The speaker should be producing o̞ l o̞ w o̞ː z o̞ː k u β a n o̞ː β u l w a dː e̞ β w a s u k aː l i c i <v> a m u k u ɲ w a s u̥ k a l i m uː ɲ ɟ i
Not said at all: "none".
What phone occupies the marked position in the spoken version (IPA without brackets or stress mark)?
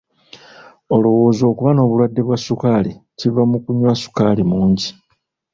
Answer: v